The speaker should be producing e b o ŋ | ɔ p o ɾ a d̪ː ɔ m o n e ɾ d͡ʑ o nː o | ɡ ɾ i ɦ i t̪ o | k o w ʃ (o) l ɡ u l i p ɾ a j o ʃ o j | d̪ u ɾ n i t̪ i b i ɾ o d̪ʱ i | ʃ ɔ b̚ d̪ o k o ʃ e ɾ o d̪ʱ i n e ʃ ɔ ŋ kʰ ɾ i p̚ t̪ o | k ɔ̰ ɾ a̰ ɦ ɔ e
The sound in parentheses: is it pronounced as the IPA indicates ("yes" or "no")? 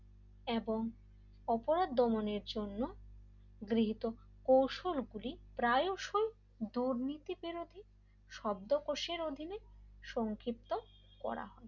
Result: yes